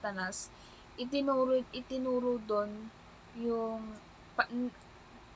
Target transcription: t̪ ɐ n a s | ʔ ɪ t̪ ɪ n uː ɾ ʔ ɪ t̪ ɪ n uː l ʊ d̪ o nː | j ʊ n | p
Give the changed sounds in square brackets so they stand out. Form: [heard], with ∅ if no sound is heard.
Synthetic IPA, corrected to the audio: t̪ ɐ n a s | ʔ ɪ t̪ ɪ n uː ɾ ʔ ɪ t̪ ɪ n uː [ɾ] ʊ d̪ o [n] | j ʊ [ŋ] | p